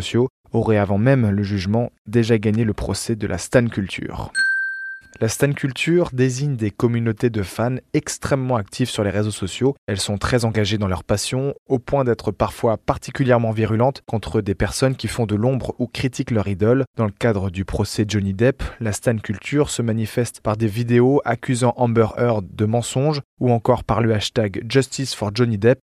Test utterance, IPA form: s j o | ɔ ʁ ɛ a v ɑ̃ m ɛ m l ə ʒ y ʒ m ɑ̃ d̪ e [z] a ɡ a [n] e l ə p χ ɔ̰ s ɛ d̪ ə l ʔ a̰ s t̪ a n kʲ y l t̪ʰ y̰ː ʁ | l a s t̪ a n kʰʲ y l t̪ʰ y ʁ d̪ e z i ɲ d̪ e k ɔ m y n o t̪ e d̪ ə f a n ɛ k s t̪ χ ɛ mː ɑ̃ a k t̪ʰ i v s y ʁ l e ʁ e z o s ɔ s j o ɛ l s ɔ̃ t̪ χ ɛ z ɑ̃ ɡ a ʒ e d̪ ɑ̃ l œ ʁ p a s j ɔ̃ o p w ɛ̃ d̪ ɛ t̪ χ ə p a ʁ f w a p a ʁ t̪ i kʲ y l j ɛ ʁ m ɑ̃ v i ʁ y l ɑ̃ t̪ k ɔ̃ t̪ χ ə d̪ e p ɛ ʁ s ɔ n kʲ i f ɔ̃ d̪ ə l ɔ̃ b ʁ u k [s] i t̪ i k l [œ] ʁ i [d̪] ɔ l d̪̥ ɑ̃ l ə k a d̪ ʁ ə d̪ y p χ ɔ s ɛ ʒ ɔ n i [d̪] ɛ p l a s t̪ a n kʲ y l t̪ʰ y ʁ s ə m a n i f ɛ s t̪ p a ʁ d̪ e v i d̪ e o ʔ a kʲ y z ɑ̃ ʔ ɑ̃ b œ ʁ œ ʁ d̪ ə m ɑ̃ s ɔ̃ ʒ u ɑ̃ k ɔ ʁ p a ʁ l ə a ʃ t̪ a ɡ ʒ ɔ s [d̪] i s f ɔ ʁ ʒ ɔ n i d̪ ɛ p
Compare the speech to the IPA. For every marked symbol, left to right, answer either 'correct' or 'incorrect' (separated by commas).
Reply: incorrect, incorrect, incorrect, correct, correct, correct, incorrect